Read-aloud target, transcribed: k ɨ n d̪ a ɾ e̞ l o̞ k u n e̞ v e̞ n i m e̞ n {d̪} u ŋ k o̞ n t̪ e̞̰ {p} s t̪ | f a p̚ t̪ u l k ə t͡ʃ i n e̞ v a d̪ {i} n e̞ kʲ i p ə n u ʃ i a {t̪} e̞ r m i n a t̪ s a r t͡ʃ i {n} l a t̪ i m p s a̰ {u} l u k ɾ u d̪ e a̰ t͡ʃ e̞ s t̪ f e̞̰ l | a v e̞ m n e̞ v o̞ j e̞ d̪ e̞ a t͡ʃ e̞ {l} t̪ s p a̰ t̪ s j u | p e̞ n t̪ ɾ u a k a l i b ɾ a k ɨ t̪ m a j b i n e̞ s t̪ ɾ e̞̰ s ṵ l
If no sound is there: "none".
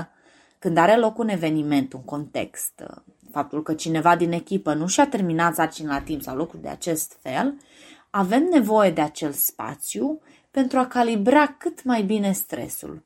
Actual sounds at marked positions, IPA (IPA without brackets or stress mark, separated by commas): t̪, k, i, t̪, n, w, l